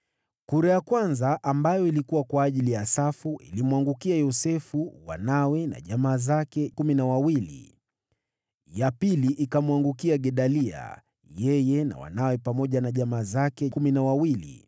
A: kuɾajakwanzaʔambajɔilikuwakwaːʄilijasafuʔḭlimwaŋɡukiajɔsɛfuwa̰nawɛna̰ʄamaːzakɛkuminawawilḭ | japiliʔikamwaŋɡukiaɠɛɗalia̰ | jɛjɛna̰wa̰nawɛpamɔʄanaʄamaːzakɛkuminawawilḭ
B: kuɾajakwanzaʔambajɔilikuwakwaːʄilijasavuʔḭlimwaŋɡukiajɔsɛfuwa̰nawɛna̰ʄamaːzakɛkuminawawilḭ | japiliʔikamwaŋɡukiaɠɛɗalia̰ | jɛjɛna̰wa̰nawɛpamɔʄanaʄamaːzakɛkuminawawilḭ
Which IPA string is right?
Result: A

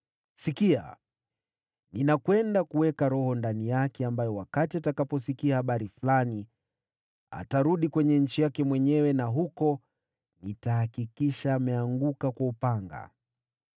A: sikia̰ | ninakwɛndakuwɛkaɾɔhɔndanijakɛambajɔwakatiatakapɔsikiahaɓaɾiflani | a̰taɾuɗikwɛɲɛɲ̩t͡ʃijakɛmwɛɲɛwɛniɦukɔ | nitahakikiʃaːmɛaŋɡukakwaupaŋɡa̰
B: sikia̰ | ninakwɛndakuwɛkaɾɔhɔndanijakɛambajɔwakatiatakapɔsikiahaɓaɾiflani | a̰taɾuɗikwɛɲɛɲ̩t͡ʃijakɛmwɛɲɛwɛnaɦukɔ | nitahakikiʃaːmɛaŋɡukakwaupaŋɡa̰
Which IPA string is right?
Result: B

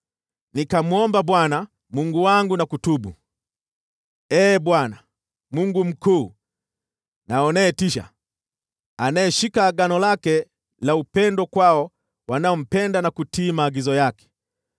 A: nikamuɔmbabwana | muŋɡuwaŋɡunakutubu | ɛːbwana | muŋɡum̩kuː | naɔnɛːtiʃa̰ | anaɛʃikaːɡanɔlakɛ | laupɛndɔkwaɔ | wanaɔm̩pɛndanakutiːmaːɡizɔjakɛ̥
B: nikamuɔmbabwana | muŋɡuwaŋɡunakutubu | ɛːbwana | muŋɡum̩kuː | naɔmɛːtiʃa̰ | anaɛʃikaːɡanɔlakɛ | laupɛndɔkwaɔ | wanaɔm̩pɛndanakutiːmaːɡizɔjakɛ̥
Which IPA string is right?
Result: A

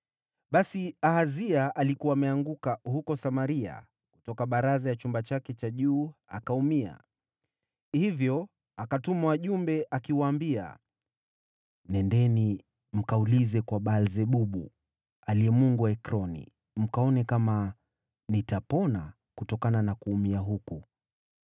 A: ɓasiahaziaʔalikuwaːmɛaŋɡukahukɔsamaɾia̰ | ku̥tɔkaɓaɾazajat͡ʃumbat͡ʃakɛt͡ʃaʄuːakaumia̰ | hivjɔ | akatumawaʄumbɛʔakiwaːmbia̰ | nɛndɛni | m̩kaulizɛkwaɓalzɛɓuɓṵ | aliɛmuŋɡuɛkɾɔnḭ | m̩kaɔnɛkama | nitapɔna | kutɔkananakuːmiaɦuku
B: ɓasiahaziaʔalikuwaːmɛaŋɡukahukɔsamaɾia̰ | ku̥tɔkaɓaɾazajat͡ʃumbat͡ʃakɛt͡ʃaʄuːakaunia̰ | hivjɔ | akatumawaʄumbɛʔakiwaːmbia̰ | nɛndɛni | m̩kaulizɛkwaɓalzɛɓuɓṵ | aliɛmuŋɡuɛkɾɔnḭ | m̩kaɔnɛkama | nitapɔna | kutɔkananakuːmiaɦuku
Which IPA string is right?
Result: A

